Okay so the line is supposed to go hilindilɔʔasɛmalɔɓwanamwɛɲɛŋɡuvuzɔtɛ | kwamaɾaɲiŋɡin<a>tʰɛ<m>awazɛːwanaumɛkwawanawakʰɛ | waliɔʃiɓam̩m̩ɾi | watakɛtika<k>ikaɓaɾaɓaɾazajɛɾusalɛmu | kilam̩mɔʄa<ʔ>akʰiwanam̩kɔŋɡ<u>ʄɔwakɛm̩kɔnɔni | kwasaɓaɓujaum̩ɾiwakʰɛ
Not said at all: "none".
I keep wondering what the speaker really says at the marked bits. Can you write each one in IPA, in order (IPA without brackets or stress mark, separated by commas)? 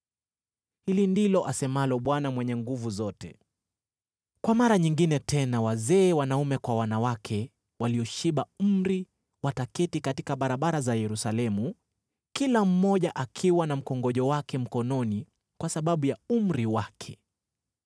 ɛ, n, t, ʔ, ɔ